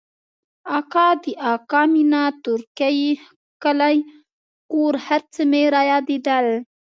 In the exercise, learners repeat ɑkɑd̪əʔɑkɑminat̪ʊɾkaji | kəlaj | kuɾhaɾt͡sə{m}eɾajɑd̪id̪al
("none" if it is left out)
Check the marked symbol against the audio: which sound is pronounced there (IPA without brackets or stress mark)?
m